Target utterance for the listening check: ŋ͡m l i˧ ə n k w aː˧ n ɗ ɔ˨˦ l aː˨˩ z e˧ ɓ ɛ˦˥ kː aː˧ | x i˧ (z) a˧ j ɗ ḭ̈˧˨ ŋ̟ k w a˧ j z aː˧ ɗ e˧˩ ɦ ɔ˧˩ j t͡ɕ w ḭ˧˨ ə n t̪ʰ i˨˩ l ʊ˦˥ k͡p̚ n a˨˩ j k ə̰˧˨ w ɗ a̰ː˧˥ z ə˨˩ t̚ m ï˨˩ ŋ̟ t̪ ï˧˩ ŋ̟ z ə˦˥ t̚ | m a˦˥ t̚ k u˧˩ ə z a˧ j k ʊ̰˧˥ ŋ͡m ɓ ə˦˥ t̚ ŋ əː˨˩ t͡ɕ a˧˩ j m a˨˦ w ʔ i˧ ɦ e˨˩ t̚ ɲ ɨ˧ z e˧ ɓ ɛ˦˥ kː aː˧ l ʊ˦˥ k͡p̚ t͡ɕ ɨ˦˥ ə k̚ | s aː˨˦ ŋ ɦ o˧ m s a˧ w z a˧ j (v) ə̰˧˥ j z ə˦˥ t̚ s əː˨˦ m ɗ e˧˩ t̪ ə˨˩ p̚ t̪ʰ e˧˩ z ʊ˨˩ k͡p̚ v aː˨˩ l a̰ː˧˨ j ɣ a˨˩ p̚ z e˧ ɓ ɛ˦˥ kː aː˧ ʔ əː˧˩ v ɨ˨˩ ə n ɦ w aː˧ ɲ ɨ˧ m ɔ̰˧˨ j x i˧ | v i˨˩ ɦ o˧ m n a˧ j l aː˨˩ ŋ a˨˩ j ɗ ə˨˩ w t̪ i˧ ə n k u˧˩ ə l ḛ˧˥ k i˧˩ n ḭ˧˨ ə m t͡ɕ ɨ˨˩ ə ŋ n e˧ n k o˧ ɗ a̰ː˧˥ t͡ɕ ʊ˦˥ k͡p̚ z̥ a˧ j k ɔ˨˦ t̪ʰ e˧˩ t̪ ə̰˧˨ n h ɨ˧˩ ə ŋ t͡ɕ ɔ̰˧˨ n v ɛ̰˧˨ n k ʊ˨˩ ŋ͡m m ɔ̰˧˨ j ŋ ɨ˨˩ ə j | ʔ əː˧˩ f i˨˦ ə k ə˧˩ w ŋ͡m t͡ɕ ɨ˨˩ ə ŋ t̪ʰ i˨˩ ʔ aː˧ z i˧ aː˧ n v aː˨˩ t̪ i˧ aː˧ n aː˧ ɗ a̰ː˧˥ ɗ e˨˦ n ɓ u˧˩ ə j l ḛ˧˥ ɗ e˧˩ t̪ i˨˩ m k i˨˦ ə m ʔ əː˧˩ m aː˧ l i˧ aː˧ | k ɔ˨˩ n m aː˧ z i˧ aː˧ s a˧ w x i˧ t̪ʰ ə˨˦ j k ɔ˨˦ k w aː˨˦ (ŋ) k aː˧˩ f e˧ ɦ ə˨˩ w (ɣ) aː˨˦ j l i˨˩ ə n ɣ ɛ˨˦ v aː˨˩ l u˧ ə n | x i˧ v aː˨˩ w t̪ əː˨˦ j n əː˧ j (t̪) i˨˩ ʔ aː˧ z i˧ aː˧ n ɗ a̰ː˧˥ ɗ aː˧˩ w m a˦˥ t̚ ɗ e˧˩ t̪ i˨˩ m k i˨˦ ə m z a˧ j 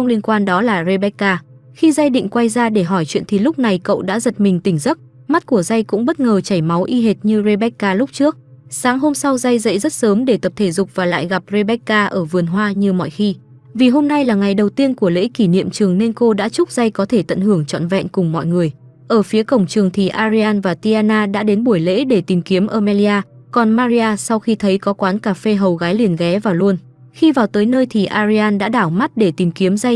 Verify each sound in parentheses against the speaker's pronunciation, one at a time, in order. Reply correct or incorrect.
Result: correct, incorrect: z, incorrect: n, correct, incorrect: t̪ʰ

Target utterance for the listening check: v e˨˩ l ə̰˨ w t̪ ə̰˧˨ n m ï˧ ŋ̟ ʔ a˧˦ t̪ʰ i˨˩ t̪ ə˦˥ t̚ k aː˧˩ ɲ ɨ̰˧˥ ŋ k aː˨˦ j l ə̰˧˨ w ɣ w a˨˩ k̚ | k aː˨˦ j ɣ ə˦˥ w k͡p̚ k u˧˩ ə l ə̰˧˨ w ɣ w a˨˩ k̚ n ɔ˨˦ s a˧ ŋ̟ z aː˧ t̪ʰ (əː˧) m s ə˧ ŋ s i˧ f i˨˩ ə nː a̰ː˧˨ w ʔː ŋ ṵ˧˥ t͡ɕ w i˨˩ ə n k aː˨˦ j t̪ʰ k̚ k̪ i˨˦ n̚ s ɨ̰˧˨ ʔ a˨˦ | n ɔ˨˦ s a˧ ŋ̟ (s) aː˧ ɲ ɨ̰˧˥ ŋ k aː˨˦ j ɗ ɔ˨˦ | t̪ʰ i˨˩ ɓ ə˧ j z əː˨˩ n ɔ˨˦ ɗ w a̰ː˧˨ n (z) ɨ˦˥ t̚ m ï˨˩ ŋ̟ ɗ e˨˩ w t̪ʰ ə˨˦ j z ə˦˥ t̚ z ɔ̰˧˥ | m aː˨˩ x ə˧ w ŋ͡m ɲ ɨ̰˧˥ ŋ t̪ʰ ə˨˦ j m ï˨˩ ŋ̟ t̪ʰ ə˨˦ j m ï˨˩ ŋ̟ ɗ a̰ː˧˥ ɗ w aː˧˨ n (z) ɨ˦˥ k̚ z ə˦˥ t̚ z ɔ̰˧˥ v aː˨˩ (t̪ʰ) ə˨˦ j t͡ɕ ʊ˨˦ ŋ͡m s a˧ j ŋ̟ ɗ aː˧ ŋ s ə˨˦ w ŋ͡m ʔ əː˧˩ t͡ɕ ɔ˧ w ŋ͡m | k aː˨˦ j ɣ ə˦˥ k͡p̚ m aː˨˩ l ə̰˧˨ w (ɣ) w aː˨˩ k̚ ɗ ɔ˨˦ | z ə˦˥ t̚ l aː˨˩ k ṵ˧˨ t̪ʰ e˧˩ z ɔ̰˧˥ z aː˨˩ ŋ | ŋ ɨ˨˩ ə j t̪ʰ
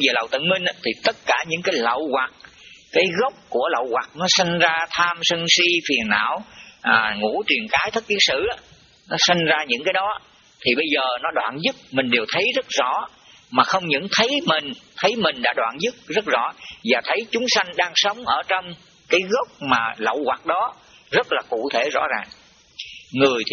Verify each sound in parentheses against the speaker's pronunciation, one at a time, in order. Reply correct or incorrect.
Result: incorrect: aː˧, incorrect: z, correct, correct, correct, correct

